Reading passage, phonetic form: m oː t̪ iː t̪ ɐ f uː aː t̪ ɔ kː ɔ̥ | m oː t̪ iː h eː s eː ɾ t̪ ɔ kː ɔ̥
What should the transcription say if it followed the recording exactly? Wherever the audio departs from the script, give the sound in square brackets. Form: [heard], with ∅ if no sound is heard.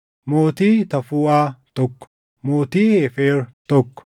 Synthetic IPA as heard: m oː t̪ iː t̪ ɐ f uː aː t̪ ɔ kː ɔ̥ | m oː t̪ iː h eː [f] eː ɾ t̪ ɔ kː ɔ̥